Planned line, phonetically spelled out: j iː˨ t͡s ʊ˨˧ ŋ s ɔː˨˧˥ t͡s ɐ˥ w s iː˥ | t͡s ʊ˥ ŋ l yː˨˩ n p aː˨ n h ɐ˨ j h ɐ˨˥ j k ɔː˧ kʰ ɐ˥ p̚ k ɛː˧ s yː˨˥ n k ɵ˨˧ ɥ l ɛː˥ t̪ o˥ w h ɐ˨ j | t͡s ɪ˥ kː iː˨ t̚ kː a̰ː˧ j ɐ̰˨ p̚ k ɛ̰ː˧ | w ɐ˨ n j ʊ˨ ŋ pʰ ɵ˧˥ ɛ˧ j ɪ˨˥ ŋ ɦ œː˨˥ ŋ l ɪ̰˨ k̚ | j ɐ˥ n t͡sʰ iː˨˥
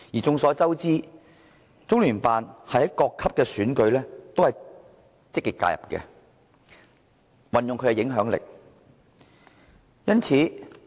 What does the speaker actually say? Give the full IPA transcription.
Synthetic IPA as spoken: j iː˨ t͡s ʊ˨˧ ŋ s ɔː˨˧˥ t͡s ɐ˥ w t͡s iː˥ | t͡s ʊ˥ ŋ l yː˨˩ n p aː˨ n h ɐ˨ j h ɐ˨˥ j k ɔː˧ kʰ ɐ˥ p̚ k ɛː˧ s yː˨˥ n k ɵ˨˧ ɥ l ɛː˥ t̪ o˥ w h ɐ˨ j | t͡s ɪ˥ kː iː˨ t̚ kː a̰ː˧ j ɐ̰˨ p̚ k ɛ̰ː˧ | w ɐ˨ n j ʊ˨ ŋ kʰ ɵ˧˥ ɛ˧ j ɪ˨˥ ŋ ɦ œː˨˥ ŋ l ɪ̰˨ k̚ | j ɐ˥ n t͡sʰ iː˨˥